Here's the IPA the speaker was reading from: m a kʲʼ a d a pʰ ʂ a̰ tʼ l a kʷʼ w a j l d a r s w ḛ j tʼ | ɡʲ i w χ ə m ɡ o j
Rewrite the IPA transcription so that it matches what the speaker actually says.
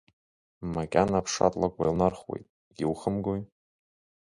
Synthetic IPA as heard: m a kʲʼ a n a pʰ ʂ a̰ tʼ l a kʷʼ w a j l n a r χ w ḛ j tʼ | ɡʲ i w χ ə m ɡ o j